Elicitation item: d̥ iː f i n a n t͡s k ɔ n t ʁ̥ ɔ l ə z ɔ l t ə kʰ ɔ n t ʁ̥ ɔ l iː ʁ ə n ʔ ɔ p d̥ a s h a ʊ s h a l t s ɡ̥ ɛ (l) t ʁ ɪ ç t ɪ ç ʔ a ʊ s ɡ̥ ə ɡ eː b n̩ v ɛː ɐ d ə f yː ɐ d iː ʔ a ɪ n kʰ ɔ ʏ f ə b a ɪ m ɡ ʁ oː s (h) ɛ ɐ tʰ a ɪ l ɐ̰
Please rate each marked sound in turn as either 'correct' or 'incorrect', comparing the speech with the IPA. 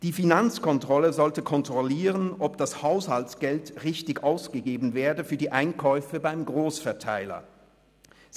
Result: correct, incorrect: f

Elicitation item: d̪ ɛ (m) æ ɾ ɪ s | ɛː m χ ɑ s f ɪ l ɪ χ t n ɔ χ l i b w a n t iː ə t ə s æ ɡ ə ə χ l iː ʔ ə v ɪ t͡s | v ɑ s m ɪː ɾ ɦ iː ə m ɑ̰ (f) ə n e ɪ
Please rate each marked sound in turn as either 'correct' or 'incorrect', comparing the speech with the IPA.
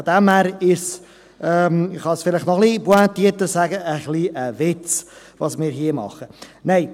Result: correct, incorrect: χ

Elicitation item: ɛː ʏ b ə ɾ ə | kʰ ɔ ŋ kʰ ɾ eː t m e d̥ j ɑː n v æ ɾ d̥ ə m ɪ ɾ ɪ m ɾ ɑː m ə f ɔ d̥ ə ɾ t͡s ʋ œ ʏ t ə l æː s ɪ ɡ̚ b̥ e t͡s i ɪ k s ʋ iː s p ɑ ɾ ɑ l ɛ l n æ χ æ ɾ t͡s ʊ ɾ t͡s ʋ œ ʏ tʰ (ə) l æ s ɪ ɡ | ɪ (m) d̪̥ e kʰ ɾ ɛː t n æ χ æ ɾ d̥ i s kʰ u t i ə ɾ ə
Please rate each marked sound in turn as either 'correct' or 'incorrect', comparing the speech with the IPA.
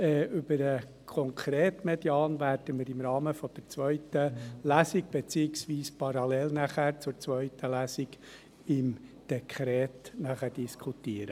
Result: correct, correct

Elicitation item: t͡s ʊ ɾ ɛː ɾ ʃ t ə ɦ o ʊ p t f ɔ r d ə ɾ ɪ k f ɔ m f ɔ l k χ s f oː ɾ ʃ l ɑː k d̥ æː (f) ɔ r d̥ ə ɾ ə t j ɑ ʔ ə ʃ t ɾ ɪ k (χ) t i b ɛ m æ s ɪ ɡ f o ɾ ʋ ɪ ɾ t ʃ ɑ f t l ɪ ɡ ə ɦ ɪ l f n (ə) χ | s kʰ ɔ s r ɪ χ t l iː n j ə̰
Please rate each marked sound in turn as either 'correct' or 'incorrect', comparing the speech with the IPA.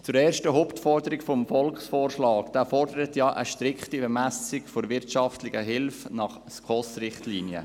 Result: correct, correct, incorrect: ɑ

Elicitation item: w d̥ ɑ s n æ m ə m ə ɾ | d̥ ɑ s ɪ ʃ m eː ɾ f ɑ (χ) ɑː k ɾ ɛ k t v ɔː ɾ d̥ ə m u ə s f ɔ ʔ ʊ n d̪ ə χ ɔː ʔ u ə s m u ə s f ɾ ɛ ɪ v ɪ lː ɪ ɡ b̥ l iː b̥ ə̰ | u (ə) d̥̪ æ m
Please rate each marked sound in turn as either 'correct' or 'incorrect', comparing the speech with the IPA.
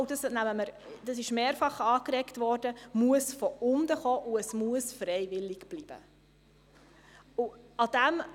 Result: correct, incorrect: ɑ

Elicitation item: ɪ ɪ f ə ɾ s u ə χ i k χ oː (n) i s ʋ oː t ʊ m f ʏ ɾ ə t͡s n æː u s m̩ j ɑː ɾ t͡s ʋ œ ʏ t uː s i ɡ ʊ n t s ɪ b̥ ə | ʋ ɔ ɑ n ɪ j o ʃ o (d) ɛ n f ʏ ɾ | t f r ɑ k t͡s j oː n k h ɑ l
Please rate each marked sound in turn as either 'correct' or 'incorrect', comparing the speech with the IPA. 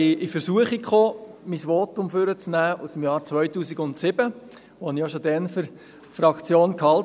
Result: incorrect: m, correct

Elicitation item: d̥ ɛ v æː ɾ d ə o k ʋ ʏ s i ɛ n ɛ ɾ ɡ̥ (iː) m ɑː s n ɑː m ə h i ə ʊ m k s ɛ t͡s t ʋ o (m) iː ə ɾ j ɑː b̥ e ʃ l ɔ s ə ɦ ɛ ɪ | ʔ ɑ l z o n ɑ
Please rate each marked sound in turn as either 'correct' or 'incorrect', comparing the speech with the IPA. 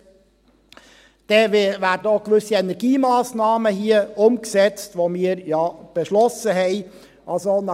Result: correct, correct

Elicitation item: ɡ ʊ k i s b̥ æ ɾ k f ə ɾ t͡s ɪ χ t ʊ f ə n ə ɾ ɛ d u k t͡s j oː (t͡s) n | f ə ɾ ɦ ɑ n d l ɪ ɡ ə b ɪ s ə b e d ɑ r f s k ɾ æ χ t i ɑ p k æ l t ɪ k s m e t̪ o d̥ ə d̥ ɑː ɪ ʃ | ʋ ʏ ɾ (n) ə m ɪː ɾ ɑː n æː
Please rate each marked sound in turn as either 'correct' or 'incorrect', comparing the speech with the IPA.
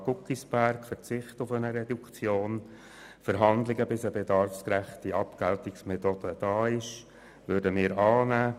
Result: incorrect: none, incorrect: d

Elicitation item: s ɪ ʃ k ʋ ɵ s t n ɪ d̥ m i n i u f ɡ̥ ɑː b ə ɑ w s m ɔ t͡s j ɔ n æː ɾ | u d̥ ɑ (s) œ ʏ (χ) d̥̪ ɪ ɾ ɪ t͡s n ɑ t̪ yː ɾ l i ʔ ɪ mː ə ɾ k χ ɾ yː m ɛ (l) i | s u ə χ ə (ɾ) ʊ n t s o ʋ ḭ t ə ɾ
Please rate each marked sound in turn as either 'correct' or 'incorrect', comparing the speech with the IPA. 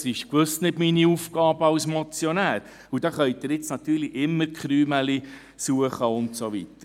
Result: incorrect: χ, incorrect: none, correct, incorrect: none

